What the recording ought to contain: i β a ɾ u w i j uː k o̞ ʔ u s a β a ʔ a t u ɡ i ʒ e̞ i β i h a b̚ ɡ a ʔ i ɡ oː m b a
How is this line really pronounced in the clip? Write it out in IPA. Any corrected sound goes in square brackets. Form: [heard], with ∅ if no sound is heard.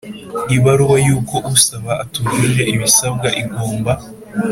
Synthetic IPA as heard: i β a ɾ u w [a] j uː k o̞ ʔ u s a β a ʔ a t u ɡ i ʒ e̞ i β i [s] a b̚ ɡ a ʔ i ɡ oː m b a